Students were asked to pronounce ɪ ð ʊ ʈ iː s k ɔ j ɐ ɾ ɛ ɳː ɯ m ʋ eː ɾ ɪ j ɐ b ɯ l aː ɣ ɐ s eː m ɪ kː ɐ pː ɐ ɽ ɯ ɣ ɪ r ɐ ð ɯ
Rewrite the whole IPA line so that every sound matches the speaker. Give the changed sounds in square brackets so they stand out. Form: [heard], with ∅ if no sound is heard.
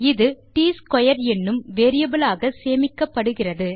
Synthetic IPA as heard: ɪ ð [ɯ] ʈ iː s k ɔ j ɐ ɾ ɛ [nː] ɯ m ʋ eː ɾ ɪ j ɐ b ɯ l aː ɣ ɐ s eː m ɪ kː ɐ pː ɐ ɽ ɯ ɣ ɪ r ɐ ð ɯ